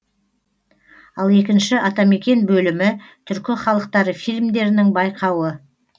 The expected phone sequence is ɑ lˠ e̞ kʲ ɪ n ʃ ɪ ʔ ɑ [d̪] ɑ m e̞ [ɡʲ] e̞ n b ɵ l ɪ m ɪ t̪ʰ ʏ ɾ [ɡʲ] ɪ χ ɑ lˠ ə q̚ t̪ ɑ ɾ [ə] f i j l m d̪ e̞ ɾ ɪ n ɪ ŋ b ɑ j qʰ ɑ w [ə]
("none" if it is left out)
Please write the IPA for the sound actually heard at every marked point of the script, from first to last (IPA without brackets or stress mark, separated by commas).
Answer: t̪, kʲ, kʲ, ə, ə